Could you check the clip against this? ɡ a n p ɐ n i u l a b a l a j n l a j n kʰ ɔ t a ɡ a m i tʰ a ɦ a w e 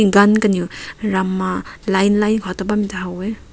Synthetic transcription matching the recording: ɡ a n k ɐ n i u ɾ a m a l a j n l a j n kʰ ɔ t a b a m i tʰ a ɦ a w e